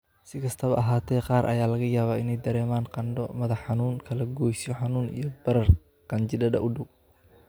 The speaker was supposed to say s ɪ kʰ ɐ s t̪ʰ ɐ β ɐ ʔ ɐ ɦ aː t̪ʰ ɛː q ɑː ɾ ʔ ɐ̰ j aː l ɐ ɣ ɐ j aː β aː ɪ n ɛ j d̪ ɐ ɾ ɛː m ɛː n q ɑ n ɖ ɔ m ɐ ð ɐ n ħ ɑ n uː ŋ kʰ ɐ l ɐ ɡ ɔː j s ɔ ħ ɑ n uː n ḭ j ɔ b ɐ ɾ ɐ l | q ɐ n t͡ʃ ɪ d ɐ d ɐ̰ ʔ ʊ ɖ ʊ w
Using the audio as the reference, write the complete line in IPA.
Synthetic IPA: s ɪ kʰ ɐ s t̪ʰ ɐ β ɐ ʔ ɐ ɦ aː t̪ʰ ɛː q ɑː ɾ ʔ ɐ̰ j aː l ɐ ɣ ɐ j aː β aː ɪ n ɛ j d̪ ɐ ɾ ɛː m aː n q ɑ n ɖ ɔ m ɐ ð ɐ ħ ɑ n uː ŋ kʰ ɐ l ɐ ɡ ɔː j s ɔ ħ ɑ n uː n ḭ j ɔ b ɐ ɾ ɐ r | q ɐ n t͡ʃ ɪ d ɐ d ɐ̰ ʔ ʊ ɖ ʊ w